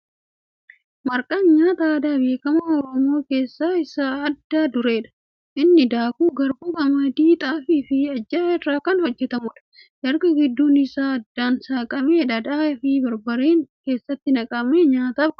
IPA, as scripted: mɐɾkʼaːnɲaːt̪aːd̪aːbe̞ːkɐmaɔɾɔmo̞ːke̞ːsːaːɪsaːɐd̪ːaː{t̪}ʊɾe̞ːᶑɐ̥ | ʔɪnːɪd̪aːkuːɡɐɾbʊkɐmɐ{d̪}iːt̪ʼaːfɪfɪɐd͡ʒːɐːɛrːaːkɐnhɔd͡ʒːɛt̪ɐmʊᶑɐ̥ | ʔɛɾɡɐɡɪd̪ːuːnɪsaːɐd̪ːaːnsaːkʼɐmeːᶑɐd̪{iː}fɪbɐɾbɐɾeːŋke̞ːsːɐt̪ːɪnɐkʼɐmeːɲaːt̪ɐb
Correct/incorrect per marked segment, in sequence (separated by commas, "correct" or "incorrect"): incorrect, correct, incorrect